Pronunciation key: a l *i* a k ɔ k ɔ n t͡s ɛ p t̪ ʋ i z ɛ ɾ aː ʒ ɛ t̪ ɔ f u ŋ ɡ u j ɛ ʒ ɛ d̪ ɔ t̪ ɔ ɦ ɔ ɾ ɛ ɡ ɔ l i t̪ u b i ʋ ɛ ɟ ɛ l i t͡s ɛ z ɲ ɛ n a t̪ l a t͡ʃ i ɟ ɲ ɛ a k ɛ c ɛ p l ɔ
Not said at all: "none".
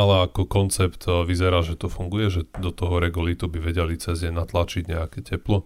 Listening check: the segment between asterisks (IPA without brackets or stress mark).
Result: ɛ